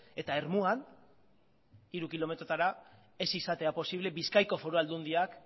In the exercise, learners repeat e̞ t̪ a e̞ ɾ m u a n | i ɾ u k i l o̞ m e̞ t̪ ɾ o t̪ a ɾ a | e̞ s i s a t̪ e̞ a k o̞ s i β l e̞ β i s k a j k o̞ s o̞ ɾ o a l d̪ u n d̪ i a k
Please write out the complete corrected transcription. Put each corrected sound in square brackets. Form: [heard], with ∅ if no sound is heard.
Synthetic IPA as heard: e̞ t̪ a e̞ ɾ m u a n | i ɾ u k i l o̞ m e̞ t̪ ɾ o t̪ a ɾ a | e̞ s i s a t̪ e̞ a [p] o̞ s i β l e̞ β i s k a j k o̞ [f] o̞ ɾ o a l d̪ u n d̪ i a k